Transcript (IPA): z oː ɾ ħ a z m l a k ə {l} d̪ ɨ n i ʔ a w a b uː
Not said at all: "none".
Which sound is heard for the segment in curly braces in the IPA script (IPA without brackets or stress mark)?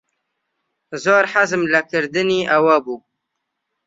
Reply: ɾ